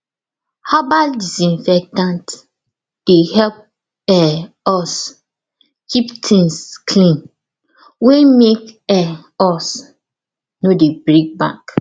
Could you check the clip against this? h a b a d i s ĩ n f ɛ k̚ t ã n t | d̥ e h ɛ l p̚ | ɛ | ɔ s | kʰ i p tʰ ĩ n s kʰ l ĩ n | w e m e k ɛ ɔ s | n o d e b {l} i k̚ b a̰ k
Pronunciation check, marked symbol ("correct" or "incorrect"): incorrect